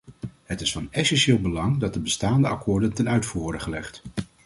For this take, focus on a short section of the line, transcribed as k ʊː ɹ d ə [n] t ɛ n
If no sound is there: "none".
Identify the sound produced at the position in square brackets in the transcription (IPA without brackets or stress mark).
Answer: n